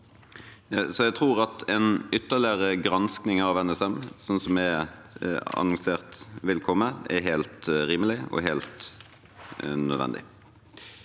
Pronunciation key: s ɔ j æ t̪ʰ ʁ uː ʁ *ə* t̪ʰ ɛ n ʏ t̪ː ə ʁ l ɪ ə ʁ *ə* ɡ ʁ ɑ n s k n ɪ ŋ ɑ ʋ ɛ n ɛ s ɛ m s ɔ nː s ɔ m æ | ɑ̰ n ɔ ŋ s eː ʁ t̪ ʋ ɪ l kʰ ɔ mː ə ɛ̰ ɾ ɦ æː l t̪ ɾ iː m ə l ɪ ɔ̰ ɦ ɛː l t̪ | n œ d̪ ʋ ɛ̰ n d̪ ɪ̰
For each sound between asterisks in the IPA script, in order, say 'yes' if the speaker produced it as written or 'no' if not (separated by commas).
no, yes